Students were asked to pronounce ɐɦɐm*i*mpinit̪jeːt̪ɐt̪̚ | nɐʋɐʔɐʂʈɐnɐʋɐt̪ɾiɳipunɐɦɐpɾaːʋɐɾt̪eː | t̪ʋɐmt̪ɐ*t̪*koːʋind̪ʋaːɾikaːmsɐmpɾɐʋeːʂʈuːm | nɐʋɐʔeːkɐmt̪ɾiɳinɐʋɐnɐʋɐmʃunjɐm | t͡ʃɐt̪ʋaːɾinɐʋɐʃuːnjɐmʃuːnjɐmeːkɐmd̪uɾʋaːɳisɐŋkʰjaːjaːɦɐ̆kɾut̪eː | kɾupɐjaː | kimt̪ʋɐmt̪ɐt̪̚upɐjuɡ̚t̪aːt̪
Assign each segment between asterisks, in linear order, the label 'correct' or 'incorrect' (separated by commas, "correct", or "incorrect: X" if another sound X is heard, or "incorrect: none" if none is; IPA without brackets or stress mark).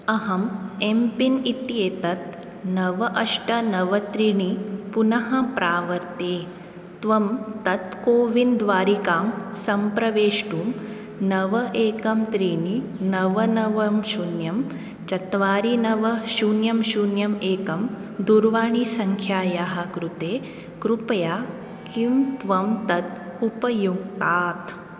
incorrect: e, correct